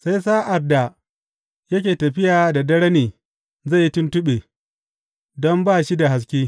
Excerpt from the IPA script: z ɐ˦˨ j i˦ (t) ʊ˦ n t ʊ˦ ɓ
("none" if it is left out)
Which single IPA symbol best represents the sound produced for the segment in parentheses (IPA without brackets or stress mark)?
t